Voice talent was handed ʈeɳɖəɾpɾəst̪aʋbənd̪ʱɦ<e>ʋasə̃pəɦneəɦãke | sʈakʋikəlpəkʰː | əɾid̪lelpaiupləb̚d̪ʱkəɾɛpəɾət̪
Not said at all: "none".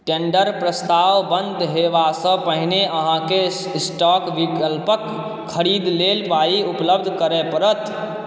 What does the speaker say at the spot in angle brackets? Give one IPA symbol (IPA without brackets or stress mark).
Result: e